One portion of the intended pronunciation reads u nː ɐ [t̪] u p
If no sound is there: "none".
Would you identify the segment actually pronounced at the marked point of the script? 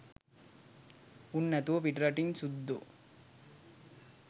t̪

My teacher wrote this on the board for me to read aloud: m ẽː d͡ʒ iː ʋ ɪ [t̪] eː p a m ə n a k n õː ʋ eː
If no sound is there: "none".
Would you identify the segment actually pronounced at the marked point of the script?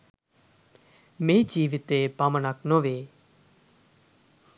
t̪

